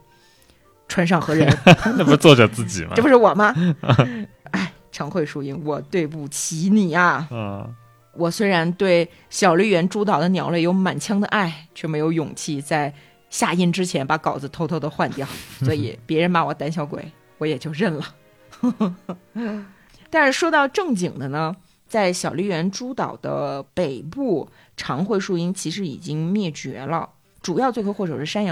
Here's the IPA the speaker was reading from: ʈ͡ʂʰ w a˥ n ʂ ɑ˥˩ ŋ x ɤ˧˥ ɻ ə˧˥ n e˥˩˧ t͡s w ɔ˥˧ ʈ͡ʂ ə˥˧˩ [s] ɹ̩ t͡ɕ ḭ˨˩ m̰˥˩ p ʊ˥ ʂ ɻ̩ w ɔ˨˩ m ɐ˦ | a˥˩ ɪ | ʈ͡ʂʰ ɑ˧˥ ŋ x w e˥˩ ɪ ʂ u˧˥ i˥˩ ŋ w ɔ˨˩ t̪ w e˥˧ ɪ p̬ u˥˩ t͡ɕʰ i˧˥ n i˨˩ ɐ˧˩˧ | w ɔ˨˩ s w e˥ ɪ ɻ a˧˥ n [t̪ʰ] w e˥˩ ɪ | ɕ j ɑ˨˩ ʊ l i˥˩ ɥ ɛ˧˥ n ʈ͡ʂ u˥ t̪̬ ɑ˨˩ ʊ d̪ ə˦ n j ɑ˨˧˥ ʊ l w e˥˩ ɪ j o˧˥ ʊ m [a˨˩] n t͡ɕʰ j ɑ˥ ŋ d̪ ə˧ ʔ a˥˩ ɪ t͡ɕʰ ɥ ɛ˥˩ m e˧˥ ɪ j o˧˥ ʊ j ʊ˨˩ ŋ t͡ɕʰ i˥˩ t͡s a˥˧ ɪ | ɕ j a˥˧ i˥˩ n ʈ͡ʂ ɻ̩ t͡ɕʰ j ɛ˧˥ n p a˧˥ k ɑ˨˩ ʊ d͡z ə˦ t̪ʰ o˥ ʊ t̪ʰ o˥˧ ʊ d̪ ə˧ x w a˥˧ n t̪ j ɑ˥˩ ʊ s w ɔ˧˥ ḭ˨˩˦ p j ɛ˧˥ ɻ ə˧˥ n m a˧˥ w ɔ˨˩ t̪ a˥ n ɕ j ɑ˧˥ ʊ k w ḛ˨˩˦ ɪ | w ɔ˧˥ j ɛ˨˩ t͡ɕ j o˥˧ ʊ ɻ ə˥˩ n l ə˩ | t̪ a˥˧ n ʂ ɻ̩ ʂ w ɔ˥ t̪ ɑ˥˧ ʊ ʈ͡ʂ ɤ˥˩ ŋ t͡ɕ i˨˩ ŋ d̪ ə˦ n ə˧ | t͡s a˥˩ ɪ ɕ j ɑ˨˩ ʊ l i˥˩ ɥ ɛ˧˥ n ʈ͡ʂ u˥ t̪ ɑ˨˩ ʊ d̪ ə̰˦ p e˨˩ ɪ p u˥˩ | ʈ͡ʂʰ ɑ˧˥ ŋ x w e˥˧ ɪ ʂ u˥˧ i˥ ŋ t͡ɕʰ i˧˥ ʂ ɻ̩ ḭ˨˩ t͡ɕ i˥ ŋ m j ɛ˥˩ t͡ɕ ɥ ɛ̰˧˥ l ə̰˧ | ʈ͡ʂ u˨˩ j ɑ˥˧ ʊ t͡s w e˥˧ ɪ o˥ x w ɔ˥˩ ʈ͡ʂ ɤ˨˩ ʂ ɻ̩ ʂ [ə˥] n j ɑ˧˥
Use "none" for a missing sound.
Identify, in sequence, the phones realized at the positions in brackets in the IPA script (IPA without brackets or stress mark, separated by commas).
t͡s, t̪, a˨˩, a˥